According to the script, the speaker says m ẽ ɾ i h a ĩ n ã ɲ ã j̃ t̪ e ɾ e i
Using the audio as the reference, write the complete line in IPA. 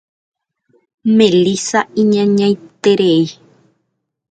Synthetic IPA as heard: m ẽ l i s a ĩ ɲ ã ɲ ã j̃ t̪ e ɾ e i